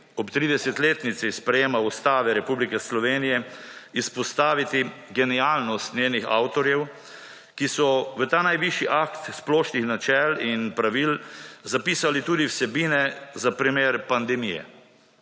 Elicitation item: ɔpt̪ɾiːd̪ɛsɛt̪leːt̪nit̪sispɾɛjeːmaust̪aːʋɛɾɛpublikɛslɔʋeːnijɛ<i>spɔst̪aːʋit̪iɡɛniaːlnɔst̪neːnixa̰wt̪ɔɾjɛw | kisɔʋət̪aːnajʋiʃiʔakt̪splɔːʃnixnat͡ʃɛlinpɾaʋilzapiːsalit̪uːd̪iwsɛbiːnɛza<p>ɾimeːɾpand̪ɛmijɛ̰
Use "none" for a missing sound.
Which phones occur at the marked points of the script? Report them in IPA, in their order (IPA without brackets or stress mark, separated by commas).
i, p